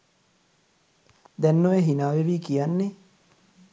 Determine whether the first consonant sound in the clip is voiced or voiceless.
voiced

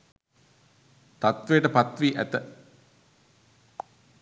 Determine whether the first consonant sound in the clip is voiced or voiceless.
voiceless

